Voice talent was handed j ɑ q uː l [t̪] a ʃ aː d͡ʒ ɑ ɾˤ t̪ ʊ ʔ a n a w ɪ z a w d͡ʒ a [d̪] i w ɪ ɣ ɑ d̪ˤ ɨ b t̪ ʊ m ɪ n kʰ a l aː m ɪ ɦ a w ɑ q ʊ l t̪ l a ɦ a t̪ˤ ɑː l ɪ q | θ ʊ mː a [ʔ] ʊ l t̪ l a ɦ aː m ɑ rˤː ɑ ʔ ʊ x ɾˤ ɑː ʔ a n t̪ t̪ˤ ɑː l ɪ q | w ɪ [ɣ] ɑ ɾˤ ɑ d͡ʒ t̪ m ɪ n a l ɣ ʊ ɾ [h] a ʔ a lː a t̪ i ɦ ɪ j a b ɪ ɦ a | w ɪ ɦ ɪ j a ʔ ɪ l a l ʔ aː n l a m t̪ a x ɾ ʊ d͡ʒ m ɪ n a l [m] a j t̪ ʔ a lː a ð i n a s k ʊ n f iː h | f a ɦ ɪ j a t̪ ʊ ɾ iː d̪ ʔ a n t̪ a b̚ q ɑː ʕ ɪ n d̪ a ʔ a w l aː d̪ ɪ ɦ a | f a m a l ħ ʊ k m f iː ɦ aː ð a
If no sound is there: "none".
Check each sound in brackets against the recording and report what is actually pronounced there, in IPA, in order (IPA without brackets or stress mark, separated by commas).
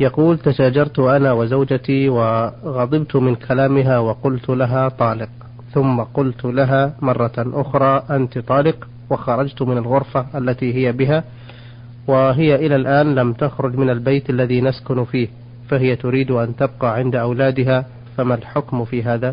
t̪, t̪, q, x, f, b